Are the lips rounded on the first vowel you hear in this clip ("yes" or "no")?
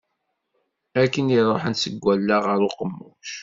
no